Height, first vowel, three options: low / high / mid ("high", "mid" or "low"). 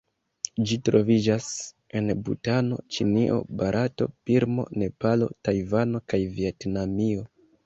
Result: high